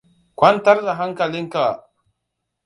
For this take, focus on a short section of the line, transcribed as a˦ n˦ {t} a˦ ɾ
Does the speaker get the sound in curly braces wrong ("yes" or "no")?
no